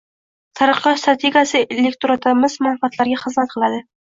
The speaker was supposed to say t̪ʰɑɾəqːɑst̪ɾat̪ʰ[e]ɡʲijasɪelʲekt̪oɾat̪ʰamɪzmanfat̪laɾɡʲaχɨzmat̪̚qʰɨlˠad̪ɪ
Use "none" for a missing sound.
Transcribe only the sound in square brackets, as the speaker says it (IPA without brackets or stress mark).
e